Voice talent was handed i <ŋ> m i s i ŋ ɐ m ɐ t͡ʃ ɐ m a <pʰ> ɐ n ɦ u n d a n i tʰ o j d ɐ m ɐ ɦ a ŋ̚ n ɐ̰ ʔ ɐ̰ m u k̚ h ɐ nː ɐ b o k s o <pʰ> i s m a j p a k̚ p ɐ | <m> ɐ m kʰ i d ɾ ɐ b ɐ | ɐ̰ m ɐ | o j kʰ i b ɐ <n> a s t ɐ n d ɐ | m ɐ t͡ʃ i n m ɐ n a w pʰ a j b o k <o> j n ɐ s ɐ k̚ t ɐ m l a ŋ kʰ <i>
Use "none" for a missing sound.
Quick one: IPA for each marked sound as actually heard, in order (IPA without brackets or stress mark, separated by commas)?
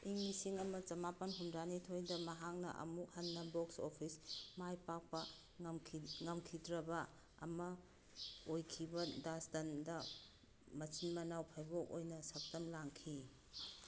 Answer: ŋ, p, pʰ, ŋ, d, o, i